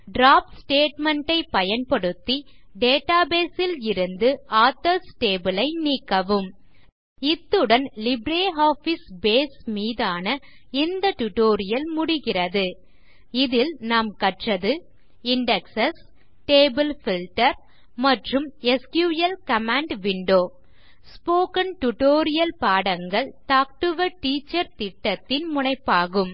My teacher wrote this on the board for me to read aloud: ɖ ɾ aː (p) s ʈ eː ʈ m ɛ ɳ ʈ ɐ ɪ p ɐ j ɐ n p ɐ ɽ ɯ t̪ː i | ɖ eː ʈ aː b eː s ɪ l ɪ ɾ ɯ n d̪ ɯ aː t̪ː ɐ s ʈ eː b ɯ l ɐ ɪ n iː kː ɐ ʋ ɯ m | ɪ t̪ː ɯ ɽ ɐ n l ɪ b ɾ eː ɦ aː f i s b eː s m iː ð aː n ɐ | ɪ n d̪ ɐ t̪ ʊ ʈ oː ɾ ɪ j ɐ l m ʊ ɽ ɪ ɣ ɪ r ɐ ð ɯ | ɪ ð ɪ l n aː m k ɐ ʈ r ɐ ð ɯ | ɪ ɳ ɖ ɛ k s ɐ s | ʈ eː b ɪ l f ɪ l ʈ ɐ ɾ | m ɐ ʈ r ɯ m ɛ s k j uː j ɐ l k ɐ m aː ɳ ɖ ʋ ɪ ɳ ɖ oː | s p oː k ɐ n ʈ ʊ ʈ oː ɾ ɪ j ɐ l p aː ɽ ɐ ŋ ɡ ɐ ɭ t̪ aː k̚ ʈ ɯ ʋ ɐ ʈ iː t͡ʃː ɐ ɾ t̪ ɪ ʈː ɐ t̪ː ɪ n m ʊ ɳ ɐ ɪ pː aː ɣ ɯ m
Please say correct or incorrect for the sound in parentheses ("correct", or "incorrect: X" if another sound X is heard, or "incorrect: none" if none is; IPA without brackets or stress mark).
correct